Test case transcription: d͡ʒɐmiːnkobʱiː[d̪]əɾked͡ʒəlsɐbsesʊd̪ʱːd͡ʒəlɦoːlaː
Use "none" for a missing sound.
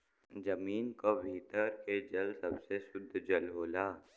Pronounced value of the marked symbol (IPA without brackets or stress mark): t̪